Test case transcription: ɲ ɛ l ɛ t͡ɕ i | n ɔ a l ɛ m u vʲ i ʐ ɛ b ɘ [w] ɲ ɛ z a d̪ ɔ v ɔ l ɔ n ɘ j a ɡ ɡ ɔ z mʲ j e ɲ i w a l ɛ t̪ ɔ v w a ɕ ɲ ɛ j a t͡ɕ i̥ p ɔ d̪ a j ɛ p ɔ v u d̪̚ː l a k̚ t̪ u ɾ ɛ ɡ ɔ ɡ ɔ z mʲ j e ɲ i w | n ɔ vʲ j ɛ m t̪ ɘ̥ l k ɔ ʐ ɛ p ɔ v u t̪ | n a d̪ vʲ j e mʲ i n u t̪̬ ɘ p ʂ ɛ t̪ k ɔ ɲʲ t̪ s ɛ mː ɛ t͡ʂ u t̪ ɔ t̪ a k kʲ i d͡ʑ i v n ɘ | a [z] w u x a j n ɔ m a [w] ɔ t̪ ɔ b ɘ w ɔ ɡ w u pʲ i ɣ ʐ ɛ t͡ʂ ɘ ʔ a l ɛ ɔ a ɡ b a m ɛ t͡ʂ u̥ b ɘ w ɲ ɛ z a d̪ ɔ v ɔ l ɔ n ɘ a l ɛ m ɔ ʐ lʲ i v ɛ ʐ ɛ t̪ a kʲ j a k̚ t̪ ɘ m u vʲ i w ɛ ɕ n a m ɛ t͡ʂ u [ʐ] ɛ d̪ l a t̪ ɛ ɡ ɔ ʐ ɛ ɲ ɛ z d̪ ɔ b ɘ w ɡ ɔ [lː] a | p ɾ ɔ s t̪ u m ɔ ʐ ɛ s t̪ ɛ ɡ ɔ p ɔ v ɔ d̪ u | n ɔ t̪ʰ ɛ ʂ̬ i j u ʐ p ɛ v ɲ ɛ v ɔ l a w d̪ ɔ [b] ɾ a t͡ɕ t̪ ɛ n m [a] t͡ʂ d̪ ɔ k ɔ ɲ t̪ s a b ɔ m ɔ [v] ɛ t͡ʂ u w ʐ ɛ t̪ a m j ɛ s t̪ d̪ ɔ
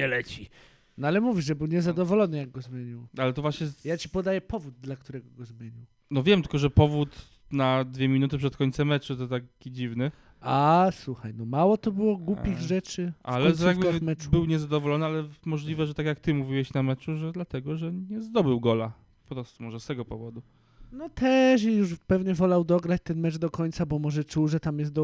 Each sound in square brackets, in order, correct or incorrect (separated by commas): correct, incorrect, correct, correct, incorrect, incorrect, incorrect, incorrect